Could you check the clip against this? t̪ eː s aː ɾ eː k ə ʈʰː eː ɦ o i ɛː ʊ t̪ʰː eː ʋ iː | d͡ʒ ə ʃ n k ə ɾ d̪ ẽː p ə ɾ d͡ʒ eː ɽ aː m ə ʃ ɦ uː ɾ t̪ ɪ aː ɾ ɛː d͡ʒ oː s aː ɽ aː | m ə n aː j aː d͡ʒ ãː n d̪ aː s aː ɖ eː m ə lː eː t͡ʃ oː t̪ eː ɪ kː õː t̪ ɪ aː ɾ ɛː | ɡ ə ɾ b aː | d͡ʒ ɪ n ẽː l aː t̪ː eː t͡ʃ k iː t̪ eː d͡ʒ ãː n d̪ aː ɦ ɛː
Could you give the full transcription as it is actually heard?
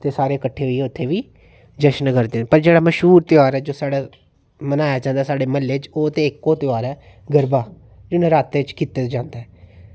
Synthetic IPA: t̪ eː s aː ɾ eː k ə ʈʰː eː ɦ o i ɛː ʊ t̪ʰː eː ʋ iː | d͡ʒ ə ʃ n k ə ɾ d̪ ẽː p ə ɾ d͡ʒ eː ɽ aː m ə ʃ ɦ uː ɾ t̪ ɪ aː ɾ ɛː d͡ʒ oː s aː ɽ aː | m ə n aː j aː d͡ʒ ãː n d̪ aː s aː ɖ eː m ə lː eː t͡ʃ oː t̪ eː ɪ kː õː t̪ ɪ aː ɾ ɛː | ɡ ə ɾ b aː | d͡ʒ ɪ n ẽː ɾ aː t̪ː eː t͡ʃ k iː t̪ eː d͡ʒ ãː n d̪ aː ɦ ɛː